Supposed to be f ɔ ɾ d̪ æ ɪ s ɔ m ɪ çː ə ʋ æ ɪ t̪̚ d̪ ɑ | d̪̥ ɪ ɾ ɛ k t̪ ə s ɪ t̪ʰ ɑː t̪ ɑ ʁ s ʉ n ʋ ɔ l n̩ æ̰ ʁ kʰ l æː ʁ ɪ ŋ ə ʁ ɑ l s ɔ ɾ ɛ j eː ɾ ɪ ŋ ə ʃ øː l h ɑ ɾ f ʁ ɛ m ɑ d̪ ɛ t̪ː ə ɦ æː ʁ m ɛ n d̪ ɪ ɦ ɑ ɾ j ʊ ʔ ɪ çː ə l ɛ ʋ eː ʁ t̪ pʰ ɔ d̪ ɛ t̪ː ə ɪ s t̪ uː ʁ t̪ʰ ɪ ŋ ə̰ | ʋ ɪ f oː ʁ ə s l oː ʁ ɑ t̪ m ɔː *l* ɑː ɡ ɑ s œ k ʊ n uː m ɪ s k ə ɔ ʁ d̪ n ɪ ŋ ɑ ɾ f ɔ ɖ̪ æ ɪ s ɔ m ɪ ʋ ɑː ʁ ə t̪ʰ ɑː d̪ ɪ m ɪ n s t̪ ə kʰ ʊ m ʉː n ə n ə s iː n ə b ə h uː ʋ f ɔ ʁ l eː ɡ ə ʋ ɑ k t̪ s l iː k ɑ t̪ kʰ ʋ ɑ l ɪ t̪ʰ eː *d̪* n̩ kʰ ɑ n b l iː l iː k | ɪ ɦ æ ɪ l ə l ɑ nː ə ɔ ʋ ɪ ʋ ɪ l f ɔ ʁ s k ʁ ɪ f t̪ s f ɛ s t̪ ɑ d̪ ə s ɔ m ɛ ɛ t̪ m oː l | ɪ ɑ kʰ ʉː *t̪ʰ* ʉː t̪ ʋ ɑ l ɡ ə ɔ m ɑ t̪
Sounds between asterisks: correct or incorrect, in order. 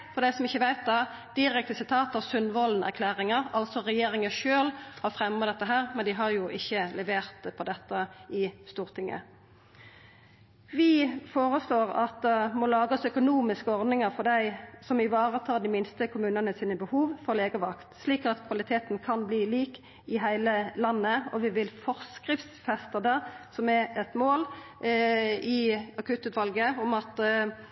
correct, incorrect: t̪, incorrect: t̪

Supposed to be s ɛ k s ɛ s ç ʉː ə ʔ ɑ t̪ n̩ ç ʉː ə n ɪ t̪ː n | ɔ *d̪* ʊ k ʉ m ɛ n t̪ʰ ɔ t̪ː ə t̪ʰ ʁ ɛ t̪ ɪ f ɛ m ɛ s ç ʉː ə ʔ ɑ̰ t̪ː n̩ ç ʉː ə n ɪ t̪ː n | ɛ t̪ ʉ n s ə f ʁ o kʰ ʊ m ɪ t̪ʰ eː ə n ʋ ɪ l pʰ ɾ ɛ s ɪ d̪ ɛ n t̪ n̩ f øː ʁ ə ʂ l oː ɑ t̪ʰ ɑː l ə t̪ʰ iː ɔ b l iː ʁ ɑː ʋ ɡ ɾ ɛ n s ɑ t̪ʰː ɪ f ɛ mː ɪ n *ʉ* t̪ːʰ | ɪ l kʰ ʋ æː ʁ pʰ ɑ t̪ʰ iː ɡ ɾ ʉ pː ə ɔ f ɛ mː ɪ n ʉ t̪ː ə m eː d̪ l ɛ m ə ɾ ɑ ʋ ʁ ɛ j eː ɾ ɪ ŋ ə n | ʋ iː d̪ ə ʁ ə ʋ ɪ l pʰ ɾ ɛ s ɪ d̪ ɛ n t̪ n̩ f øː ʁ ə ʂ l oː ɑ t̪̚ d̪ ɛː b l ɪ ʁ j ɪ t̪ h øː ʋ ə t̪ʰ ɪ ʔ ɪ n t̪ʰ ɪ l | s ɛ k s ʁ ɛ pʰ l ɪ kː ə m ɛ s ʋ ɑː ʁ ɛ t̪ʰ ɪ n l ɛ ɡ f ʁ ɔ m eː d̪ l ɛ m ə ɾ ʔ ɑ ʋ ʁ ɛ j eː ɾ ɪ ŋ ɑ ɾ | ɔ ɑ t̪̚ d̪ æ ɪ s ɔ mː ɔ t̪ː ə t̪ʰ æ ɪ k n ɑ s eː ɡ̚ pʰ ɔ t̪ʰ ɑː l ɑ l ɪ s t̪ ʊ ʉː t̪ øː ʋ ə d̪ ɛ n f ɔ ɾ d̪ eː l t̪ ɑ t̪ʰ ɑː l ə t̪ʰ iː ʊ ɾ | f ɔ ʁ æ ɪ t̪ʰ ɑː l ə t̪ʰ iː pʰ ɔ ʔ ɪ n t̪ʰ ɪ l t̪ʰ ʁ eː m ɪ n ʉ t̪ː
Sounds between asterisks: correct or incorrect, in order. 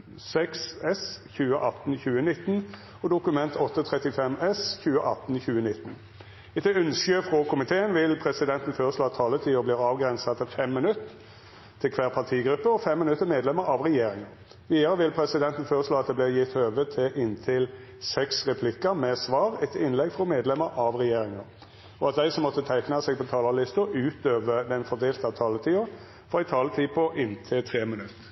correct, correct

